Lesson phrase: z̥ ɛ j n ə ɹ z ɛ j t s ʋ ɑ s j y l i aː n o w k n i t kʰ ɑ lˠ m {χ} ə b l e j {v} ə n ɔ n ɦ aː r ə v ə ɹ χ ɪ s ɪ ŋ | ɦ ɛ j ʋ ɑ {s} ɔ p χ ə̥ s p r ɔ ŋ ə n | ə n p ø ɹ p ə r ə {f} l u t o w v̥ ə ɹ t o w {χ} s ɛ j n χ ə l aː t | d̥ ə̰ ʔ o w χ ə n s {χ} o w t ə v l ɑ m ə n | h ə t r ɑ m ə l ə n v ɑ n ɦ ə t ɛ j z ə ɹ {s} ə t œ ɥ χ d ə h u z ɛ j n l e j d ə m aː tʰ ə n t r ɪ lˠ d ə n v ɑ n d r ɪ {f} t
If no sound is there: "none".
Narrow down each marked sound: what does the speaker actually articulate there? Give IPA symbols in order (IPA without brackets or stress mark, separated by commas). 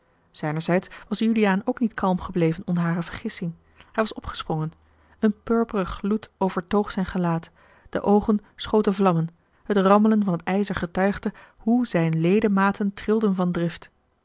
χ, v, s, χ, χ, χ, χ, f